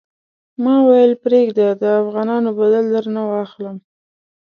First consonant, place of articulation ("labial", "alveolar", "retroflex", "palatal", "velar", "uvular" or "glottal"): labial